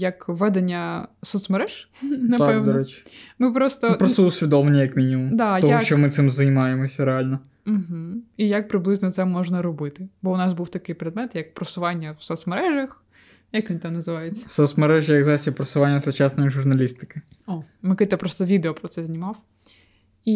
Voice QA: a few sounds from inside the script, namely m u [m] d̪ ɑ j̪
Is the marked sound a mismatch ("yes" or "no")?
no